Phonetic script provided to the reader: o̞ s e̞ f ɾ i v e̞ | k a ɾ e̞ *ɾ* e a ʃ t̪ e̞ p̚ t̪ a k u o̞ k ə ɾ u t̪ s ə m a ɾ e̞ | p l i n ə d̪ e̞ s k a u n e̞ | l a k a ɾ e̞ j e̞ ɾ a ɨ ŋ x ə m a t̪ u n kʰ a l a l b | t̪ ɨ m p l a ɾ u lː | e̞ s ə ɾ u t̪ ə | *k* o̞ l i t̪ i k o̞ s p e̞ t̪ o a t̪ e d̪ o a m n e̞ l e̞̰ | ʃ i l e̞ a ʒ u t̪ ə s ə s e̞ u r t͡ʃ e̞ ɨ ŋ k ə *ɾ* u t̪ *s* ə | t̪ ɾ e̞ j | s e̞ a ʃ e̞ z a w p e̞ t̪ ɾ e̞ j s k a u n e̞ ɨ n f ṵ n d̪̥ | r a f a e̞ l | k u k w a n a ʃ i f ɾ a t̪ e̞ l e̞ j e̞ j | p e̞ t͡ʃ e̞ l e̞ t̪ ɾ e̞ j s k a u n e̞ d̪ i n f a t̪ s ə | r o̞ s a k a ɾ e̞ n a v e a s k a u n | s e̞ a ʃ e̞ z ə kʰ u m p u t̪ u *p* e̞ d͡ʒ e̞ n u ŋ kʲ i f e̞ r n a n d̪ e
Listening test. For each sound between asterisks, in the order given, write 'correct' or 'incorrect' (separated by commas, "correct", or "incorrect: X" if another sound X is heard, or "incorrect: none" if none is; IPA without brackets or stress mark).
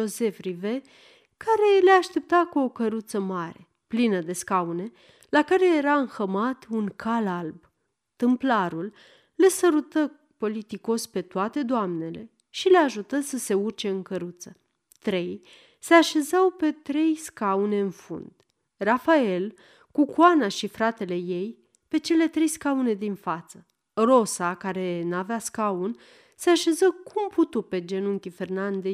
incorrect: l, incorrect: p, correct, correct, correct